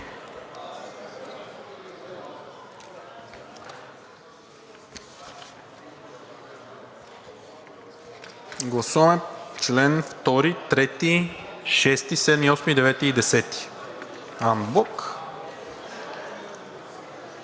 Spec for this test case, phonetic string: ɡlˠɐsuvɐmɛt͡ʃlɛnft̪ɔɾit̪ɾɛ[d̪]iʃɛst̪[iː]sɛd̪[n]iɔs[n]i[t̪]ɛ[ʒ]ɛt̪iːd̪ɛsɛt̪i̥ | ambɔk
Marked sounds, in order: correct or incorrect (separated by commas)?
incorrect, incorrect, incorrect, incorrect, incorrect, incorrect